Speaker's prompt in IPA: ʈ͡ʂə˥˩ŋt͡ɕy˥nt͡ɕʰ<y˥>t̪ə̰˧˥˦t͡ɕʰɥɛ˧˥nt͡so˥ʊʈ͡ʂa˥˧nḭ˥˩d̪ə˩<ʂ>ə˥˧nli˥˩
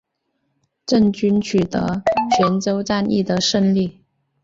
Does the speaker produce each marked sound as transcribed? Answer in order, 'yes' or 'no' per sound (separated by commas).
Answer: no, yes